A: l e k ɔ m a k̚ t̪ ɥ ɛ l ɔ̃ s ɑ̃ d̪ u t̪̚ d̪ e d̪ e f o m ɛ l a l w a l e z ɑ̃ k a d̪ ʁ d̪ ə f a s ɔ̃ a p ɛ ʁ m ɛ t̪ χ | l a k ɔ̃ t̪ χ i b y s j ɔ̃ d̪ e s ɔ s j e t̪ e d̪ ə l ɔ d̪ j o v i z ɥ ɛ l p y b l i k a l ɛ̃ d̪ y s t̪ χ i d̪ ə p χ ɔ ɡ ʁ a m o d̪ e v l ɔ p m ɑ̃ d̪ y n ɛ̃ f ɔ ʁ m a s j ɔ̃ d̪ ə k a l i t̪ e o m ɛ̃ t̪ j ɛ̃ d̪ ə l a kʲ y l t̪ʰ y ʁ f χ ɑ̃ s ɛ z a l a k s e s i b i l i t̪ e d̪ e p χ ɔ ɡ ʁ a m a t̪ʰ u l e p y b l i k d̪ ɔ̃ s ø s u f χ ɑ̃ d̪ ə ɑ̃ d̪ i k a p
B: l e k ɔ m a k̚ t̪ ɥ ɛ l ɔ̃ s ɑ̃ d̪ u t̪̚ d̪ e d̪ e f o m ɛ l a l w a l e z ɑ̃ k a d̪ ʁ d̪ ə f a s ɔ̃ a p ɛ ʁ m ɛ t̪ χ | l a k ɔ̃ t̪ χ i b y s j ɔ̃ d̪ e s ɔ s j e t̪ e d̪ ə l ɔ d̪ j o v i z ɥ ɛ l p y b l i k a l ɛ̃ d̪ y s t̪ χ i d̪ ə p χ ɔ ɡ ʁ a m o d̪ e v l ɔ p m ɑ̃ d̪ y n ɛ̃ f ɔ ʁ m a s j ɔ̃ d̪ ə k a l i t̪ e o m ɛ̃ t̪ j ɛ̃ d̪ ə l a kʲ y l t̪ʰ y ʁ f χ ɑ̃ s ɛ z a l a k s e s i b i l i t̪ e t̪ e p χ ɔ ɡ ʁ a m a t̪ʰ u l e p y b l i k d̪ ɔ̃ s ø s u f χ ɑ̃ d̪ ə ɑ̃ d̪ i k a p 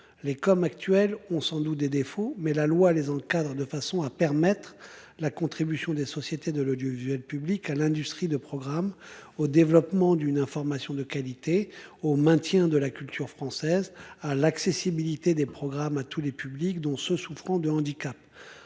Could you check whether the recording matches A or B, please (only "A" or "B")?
A